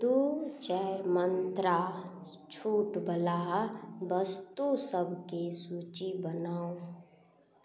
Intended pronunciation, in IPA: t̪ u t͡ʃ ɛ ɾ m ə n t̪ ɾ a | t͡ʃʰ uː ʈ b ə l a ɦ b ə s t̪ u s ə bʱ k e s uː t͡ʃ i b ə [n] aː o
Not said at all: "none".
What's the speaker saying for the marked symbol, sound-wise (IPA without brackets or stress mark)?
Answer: n